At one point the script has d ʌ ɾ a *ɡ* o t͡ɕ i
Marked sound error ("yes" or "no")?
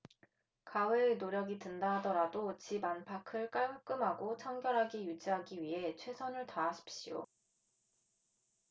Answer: yes